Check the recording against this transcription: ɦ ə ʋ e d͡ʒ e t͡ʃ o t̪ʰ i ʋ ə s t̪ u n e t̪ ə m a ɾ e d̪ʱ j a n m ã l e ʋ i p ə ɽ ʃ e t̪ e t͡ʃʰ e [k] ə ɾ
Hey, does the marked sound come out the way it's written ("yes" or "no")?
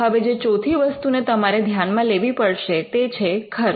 no